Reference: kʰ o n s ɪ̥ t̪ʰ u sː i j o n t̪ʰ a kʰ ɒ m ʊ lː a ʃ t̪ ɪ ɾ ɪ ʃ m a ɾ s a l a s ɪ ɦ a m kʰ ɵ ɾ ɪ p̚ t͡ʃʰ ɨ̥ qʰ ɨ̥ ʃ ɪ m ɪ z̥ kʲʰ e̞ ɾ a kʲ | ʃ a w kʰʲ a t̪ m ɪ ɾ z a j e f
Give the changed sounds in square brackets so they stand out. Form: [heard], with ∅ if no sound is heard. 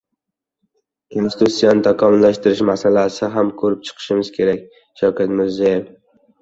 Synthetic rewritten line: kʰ o n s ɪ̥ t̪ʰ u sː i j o n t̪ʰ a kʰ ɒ m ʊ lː a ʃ t̪ ɪ ɾ ɪ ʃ m a [∅] s a l a s ɪ ɦ a m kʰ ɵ ɾ ɪ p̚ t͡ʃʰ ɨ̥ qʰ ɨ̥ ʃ ɪ m ɪ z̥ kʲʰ e̞ ɾ a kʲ | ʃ a w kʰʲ a t̪ m ɪ ɾ z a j e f